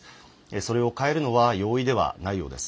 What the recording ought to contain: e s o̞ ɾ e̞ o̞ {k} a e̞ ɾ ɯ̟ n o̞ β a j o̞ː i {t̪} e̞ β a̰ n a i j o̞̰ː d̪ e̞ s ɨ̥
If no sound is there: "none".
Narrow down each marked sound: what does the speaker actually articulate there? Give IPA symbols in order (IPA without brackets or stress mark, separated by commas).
k, d̪